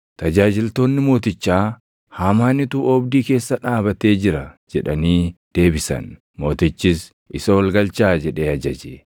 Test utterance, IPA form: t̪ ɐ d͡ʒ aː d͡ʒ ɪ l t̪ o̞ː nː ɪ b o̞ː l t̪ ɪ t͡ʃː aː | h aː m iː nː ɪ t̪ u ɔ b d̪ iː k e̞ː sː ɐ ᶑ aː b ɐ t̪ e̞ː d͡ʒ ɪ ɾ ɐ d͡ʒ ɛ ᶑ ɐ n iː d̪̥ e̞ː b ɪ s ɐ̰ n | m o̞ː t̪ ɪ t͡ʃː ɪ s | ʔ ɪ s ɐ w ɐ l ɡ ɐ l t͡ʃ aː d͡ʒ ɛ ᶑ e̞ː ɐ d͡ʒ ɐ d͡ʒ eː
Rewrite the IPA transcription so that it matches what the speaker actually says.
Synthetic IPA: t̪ ɐ d͡ʒ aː d͡ʒ ɪ l t̪ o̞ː nː ɪ m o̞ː t̪ ɪ t͡ʃː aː | h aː m aː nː ɪ t̪ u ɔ b d̪ iː k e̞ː sː ɐ ᶑ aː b ɐ t̪ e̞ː d͡ʒ ɪ ɾ ɐ d͡ʒ ɛ ᶑ ɐ n iː d̪̥ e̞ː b ɪ s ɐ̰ n | m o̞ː t̪ ɪ t͡ʃː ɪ s | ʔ ɪ s ɐ w ɐ l ɡ ɐ l t͡ʃ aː d͡ʒ ɛ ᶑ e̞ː ɐ d͡ʒ ɐ d͡ʒ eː